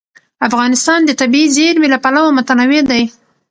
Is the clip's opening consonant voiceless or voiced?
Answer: voiceless